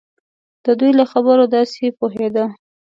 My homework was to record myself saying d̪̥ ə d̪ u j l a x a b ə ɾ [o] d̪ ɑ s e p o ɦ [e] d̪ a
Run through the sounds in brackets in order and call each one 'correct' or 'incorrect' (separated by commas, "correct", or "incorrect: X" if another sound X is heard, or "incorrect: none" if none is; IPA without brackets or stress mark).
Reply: correct, correct